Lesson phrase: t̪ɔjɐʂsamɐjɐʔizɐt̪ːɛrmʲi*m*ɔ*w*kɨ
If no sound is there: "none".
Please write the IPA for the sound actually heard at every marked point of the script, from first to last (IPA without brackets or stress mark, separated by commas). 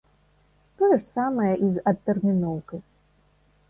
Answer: n, w